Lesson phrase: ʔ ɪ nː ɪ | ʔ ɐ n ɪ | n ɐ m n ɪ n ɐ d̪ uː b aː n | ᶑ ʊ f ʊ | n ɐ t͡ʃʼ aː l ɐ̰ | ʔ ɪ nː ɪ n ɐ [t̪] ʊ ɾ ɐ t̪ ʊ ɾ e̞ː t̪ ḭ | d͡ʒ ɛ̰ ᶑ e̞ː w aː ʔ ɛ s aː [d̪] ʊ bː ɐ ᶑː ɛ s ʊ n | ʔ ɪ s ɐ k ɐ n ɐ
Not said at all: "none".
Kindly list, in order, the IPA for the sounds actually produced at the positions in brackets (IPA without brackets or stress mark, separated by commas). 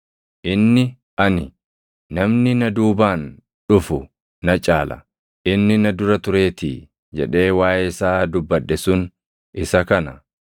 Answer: d̪, d̪